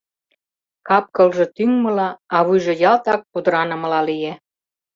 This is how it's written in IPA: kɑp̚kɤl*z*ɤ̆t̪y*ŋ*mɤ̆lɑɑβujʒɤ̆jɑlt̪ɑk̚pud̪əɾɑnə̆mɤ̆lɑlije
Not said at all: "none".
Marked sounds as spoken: ʒ, ŋ

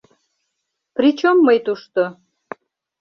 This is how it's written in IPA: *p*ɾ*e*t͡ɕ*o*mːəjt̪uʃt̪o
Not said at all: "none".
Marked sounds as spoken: p, i, o

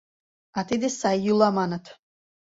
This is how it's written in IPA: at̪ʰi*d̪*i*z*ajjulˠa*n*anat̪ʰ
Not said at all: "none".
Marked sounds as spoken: d̪, s, m

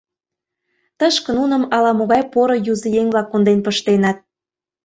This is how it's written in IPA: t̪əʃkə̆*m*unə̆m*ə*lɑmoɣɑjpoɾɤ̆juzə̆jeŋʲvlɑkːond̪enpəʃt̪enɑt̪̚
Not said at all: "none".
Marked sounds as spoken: n, ɑ

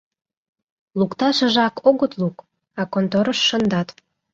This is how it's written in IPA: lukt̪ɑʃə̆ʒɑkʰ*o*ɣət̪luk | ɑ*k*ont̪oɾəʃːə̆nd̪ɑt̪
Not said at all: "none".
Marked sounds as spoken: o, k

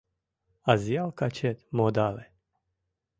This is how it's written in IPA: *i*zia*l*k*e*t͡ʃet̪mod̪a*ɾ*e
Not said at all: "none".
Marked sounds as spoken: a, l, a, l

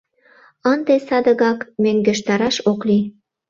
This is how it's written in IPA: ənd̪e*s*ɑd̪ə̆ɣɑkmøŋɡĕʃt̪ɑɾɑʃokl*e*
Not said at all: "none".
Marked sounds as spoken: s, i

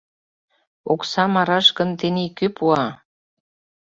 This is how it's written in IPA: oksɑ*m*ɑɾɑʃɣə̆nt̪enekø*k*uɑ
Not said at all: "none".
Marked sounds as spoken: m, p

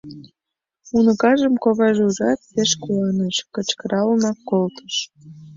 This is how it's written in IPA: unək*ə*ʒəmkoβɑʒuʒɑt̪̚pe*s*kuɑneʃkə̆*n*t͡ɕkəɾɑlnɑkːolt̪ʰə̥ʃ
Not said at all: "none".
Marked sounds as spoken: ɑ, ʃ, none

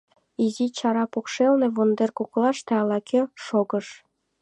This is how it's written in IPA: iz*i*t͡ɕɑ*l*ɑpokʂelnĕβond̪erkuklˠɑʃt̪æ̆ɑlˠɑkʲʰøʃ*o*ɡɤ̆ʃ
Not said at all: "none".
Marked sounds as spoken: i, ɾ, o

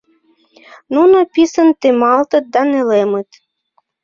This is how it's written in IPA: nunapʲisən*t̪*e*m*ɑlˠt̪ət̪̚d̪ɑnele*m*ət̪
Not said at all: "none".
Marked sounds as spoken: t̪, m, m

